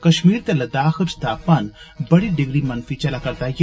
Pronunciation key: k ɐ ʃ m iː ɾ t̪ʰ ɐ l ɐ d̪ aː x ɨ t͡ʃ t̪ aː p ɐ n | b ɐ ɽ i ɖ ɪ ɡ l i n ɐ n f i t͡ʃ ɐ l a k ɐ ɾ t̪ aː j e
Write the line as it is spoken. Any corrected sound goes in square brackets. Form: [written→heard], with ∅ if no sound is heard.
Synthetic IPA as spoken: k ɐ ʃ m iː ɾ [t̪ʰ→t̪] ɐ l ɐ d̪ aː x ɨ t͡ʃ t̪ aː p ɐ n | b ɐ ɽ i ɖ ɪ ɡ [l→ɾ] i [n→m] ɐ n f i t͡ʃ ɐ l a k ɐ ɾ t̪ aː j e